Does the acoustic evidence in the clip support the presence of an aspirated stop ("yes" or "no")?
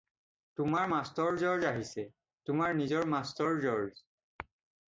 no